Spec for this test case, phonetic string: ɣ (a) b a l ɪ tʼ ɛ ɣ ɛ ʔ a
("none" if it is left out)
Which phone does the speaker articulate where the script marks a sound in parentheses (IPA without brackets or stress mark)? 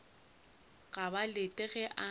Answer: a